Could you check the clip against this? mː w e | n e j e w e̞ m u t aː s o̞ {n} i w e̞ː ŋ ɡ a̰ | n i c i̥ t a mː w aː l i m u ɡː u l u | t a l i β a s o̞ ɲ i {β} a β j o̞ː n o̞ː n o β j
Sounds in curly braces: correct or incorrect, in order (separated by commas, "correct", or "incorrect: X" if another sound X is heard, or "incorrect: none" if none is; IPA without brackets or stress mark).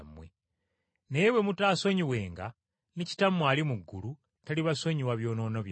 incorrect: ɲ, incorrect: w